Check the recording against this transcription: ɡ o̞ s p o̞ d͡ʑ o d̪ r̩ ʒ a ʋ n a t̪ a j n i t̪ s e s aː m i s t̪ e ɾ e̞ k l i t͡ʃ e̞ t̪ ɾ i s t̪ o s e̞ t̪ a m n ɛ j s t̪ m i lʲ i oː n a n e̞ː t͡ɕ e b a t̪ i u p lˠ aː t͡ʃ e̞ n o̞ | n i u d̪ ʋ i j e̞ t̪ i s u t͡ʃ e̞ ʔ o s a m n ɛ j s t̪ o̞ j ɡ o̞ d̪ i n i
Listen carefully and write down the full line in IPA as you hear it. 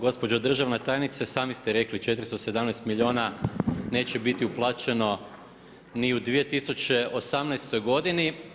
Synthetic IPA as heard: ɡ o̞ s p o̞ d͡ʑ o d̪ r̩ ʒ a ʋ n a t̪ a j n i t̪ s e s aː m i s t̪ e ɾ e̞ k l i t͡ʃ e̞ t̪ ɾ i s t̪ o s e̞ d̪ a m n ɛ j s t̪ m i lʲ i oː n a n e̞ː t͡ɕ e b i t̪ i u p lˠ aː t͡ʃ e̞ n o̞ | n i u d̪ ʋ i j e̞ t̪ i s u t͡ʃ e̞ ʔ o s a m n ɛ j s t̪ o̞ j ɡ o̞ d̪ i n i